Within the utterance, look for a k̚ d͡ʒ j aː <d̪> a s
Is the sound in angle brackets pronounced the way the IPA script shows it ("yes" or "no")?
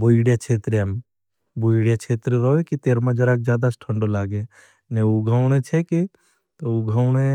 yes